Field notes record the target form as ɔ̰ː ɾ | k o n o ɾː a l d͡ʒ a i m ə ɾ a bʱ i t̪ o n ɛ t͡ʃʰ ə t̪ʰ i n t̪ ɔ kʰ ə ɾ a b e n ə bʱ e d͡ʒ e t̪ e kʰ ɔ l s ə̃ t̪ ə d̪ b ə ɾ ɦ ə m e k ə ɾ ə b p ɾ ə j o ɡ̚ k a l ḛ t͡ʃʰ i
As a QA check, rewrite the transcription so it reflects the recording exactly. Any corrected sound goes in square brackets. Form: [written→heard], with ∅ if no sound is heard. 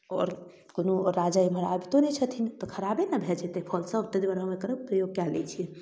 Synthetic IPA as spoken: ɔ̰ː ɾ | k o n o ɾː a [l→∅] d͡ʒ a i m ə ɾ a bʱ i t̪ o n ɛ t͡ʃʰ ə t̪ʰ i n t̪ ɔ kʰ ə ɾ a b e n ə bʱ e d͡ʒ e t̪ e [kʰ→pʰ] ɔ l s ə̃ t̪ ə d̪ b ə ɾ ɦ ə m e k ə ɾ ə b p ɾ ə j o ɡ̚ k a l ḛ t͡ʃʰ i